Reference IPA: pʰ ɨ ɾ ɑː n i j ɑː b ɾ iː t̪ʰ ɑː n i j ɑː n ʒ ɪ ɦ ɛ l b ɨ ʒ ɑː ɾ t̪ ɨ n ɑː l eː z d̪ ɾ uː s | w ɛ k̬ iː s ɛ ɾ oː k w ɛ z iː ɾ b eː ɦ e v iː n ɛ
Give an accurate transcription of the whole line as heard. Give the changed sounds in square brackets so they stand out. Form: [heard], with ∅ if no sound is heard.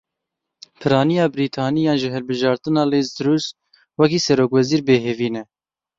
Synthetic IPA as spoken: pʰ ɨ ɾ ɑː n i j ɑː b ɾ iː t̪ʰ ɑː n i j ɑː n ʒ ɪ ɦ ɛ l b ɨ ʒ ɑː ɾ t̪ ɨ n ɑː l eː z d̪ ɾ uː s | w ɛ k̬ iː s ɛ ɾ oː k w ɛ z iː ɾ b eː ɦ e v iː n ɛ